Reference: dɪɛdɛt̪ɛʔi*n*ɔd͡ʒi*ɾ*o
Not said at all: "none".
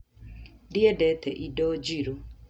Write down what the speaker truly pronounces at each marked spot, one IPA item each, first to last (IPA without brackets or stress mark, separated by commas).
d, ɾ